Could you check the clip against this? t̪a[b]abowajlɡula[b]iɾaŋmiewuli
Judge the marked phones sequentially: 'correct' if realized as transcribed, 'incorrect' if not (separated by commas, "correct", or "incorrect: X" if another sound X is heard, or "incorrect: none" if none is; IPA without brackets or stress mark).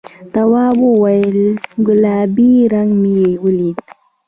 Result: incorrect: w, correct